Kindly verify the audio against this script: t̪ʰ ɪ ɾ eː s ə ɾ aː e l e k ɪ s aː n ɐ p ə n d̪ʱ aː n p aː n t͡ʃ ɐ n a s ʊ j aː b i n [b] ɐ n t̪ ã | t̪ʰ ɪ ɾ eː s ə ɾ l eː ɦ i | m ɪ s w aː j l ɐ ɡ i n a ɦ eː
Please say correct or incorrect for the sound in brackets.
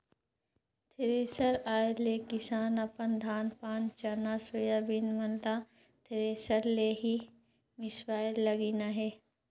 incorrect